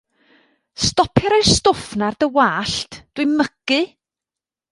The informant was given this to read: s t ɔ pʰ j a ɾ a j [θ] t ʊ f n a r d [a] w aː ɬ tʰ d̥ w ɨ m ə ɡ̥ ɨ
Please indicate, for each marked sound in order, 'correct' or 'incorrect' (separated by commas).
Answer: incorrect, incorrect